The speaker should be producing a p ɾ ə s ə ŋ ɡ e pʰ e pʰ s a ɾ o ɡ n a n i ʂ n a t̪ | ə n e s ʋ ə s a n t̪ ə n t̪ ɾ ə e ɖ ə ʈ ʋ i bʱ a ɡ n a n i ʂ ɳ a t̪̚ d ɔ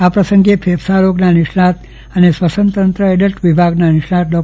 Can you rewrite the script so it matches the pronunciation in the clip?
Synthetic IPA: a p ɾ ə s ə ŋ ɡ e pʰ e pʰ s a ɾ o ɡ n a n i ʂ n a t̪ | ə n e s ʋ ə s ə n t̪ ə n t̪ ɾ ə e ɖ ə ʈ ʋ i bʱ a ɡ n a n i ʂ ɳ a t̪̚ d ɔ